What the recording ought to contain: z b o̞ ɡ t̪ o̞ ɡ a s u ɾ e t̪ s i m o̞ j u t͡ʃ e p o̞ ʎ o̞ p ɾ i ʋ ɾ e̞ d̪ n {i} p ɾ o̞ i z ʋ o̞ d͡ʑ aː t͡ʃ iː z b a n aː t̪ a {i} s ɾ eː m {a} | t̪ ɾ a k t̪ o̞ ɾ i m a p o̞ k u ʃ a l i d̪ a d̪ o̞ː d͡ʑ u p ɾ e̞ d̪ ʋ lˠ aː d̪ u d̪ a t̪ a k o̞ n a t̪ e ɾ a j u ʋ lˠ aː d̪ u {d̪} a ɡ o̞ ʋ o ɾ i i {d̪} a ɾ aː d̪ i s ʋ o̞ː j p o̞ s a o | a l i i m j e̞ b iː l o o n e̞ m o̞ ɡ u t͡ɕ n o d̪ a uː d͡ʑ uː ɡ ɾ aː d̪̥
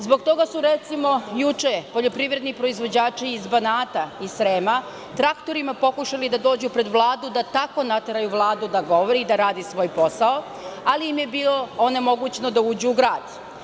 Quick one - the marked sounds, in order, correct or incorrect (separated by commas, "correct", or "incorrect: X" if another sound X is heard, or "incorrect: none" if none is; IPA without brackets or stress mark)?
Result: correct, correct, correct, correct, correct